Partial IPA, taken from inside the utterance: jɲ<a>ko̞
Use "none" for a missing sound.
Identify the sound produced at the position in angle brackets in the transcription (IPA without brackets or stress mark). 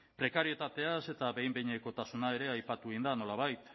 e